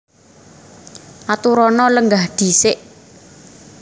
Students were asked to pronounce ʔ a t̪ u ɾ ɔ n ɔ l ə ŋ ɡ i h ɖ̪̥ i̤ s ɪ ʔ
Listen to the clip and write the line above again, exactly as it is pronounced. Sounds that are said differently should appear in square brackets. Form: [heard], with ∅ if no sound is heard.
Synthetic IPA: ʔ a t̪ u ɾ ɔ n ɔ l ə ŋ ɡ [a] h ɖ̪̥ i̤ s ɪ ʔ